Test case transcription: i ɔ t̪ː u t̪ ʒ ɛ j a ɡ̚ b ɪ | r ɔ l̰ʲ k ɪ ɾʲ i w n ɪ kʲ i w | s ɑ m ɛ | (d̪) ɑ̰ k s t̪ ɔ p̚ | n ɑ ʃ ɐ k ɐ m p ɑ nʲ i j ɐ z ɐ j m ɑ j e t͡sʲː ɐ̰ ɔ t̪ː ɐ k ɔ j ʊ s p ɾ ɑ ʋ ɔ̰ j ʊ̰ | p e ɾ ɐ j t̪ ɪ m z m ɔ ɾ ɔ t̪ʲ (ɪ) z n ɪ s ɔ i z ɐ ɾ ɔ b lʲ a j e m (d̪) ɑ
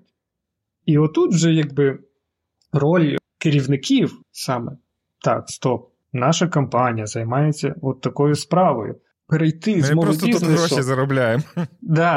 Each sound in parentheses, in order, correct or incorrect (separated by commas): incorrect, incorrect, correct